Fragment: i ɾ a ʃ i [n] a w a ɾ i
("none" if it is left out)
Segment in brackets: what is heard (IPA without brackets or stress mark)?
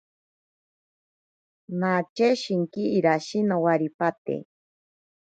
n